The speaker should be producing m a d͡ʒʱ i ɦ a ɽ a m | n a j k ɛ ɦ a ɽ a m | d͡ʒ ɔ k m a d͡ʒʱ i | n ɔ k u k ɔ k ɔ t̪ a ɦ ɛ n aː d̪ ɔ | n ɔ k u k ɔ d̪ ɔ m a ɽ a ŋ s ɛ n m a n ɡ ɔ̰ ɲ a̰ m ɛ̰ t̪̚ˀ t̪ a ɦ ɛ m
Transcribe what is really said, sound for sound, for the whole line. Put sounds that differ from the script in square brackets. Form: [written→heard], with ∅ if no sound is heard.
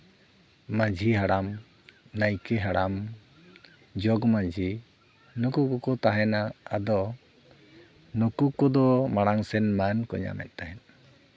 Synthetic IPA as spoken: m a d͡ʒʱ i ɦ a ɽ a m | n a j k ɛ ɦ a ɽ a m | d͡ʒ ɔ [k→ɡ] m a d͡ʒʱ i | n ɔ k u k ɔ k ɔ t̪ a ɦ ɛ n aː d̪ ɔ | n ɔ k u k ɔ d̪ ɔ m a ɽ a ŋ s ɛ n m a n [ɡ→k] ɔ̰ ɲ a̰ m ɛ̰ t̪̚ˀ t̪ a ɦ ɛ [m→n]

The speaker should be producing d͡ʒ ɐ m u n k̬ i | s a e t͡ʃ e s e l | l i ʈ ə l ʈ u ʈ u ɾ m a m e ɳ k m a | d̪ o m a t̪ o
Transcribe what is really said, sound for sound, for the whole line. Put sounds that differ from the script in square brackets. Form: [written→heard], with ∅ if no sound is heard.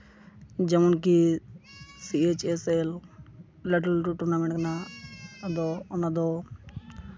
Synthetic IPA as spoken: d͡ʒ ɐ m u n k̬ i | s [a→i] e t͡ʃ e s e l | l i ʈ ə l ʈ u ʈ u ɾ [m→n] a m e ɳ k [m→n] a | d̪ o [m→n] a [t̪→d̪] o

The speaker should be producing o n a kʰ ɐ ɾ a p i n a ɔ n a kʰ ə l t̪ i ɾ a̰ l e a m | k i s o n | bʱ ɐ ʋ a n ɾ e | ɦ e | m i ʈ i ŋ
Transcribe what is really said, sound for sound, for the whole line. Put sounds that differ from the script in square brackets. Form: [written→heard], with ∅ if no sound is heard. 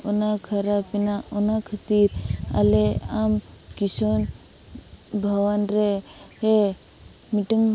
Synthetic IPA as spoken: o n a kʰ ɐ ɾ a p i n a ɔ n a kʰ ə [l→∅] t̪ i ɾ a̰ l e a m | k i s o n | bʱ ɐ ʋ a n ɾ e | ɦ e | m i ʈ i ŋ

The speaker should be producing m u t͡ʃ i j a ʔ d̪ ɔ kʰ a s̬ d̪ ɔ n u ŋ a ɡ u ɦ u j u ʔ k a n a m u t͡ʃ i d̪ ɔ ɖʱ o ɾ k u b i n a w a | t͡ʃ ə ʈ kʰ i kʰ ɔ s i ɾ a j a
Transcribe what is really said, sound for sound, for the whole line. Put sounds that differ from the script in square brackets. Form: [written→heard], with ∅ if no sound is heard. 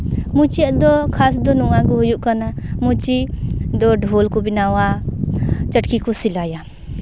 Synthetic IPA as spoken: m u t͡ʃ i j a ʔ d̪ ɔ kʰ a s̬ d̪ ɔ n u ŋ a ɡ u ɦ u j u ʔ k a n a m u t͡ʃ i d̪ ɔ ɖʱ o [ɾ→l] k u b i n a w a | t͡ʃ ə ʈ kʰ i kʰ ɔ s i [ɾ→l] a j a

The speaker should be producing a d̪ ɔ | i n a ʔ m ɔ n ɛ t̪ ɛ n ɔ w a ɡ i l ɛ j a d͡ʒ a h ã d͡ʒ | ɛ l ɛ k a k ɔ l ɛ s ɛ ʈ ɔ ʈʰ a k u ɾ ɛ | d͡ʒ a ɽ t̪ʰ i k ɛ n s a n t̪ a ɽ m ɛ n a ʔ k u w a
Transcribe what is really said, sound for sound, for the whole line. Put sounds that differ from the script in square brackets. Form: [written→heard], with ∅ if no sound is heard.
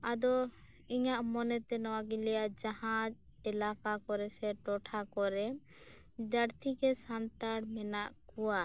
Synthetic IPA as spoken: a d̪ ɔ | i [n→ɲ] a ʔ m ɔ n ɛ t̪ ɛ n ɔ w a ɡ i l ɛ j a d͡ʒ a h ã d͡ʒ | ɛ l [ɛ→a] k a k ɔ [l→ɾ] ɛ s ɛ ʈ ɔ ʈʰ a k [u→ɔ] ɾ ɛ | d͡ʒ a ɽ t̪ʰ i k ɛ [n→∅] s a n t̪ a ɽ m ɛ n a ʔ k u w a

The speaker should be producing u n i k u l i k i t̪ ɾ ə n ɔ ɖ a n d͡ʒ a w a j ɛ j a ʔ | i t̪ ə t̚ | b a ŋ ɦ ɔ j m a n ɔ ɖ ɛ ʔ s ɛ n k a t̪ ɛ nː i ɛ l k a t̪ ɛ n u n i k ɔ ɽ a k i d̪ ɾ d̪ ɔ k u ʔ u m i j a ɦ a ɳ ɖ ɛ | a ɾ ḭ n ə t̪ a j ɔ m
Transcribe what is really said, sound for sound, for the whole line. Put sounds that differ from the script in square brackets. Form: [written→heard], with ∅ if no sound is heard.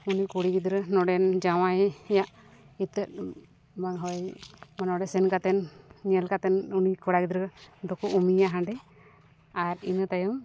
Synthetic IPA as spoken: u n i k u [l→ɽ] i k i [t̪→d̪] ɾ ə n ɔ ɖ [a→ɛ] n d͡ʒ a w a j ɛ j a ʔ | i t̪ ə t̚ | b a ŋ ɦ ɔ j m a n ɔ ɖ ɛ [ʔ→∅] s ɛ n k a t̪ ɛ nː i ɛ l k a t̪ ɛ n u n i k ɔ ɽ a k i d̪ ɾ d̪ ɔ k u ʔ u m i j a ɦ a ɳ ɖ ɛ | a ɾ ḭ n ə t̪ a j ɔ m

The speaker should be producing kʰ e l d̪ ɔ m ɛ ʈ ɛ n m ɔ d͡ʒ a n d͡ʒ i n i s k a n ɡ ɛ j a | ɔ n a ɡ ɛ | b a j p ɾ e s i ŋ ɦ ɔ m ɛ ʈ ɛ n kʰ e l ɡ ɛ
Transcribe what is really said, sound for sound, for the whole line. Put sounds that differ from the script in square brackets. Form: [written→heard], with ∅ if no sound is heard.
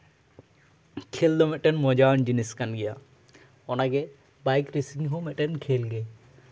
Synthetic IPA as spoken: kʰ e l d̪ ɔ m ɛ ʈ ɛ n m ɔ d͡ʒ a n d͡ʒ i n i s k a n ɡ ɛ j a | ɔ n a ɡ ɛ | b a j [p→k] ɾ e s i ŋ ɦ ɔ m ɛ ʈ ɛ n kʰ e l ɡ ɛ

